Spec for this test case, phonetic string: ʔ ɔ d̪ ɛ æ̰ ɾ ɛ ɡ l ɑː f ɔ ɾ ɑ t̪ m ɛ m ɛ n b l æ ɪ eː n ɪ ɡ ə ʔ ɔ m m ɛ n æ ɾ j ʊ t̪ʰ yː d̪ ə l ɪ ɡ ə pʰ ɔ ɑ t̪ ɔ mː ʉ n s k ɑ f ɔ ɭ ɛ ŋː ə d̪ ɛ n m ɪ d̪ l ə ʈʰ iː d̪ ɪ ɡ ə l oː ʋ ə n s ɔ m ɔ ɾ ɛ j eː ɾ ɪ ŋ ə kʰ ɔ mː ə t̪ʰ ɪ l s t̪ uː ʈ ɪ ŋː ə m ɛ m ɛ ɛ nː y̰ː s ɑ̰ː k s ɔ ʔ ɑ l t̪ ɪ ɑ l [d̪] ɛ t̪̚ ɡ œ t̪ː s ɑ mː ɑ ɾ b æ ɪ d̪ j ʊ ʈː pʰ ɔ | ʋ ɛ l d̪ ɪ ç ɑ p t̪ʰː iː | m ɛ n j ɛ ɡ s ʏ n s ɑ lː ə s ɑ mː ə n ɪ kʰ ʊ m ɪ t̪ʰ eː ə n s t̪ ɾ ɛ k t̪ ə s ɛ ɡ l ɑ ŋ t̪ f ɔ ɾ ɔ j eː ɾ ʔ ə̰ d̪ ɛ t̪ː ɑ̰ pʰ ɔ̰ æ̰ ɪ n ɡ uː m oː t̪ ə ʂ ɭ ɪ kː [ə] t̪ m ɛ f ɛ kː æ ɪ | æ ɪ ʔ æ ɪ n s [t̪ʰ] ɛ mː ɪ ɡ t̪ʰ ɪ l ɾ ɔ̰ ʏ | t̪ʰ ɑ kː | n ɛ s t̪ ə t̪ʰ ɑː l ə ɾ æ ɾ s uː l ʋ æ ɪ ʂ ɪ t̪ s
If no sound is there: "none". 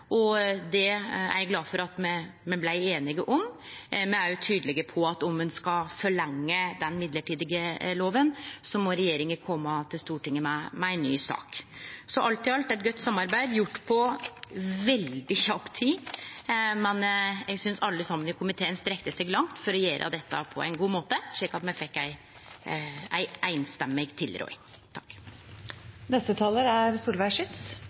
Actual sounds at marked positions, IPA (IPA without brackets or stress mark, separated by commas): t̪, ɑ, t̪